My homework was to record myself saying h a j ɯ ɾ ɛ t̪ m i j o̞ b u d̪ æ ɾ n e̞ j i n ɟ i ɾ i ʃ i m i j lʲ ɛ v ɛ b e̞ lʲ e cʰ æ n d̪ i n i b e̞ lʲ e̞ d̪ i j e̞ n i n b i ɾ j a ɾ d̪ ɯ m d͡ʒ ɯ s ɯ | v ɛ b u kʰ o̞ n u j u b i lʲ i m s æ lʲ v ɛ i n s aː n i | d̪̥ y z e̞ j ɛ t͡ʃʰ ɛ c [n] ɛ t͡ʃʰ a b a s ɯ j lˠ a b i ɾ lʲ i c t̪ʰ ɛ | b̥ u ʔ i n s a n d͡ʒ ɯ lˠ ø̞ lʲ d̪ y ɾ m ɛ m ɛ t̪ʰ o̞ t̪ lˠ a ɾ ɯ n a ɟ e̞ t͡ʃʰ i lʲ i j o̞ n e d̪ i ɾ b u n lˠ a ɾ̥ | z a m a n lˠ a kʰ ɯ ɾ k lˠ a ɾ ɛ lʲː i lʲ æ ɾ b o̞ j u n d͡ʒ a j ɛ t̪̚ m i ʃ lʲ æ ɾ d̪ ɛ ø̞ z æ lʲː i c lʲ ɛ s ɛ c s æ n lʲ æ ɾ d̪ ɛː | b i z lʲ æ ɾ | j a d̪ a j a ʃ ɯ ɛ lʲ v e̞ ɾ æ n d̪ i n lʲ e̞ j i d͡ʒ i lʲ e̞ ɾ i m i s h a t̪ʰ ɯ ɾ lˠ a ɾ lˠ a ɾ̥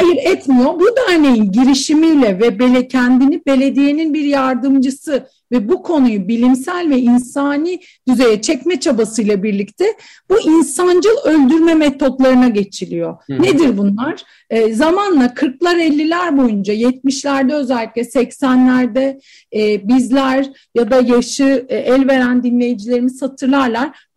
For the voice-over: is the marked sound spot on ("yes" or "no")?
no